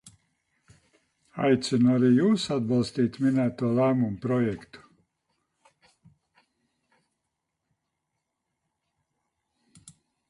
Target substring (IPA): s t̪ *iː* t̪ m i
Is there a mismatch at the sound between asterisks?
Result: no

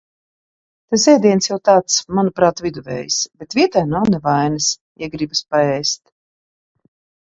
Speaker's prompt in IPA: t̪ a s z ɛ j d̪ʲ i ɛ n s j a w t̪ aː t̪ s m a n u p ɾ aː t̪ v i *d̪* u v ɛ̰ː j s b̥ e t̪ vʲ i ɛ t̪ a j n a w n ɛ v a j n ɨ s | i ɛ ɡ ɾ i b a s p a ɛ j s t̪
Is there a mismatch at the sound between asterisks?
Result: no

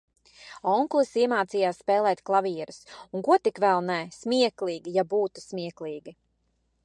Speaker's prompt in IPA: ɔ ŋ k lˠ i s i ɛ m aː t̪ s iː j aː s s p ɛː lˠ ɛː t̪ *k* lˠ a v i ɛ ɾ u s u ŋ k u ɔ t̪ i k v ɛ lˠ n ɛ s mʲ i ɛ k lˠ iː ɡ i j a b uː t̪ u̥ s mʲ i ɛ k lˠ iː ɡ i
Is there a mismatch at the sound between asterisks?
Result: no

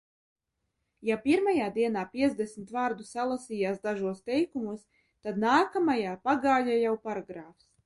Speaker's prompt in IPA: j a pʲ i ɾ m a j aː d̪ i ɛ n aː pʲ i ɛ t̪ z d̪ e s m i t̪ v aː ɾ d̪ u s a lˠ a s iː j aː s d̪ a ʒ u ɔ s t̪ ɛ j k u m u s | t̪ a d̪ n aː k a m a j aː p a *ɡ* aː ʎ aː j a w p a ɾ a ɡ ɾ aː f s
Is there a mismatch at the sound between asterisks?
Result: no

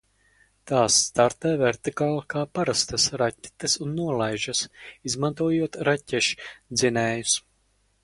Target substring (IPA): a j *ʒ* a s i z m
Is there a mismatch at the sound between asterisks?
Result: no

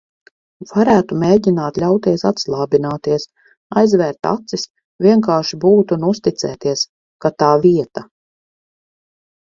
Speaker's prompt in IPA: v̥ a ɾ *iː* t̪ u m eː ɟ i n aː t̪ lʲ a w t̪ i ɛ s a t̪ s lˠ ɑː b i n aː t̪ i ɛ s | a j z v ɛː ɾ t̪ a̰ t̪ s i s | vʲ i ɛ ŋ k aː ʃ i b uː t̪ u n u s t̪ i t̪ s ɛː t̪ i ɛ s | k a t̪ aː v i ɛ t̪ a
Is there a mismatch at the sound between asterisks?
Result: yes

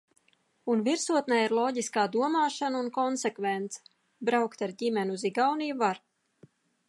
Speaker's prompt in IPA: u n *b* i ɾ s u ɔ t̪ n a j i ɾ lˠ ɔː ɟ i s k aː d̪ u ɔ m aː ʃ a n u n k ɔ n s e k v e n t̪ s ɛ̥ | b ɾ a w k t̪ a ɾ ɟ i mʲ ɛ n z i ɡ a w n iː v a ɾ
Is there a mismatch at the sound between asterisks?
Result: yes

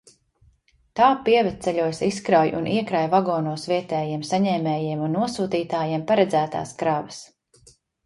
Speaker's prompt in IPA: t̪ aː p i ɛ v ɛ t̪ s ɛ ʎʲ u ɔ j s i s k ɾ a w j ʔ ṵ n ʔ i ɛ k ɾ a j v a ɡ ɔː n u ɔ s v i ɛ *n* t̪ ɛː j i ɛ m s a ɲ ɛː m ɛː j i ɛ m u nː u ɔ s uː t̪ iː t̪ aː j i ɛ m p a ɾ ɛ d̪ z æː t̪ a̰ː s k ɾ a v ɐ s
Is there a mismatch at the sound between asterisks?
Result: yes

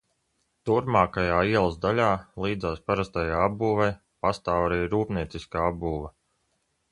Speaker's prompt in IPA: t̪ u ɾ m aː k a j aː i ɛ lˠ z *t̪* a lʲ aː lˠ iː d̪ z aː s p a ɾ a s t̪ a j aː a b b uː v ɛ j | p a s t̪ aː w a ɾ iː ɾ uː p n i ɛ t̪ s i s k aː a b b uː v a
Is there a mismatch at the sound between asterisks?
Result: yes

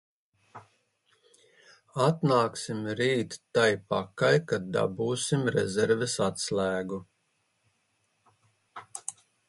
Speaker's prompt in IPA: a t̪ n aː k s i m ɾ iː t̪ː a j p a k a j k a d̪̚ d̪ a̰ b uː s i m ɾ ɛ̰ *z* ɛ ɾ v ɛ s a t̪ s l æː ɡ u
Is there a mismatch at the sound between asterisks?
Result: no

